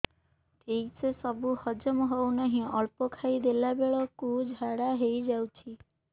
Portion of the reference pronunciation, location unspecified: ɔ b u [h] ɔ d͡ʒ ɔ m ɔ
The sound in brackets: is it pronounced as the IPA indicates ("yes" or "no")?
yes